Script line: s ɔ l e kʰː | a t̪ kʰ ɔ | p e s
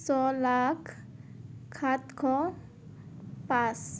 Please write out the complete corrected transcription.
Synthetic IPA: s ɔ l a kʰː | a t̪ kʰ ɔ | p a s